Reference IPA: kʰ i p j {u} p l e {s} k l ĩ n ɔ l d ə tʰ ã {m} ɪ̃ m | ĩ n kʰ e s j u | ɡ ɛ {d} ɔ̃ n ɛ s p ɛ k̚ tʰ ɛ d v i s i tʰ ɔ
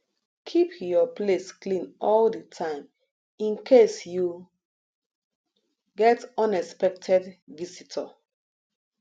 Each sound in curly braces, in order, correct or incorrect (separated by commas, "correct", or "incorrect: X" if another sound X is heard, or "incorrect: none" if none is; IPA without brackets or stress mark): incorrect: ɔ, correct, incorrect: none, incorrect: t